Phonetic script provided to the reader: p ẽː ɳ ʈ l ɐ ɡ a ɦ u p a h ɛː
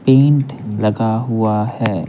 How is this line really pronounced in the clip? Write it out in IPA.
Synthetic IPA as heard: p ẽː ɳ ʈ l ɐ ɡ a ɦ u a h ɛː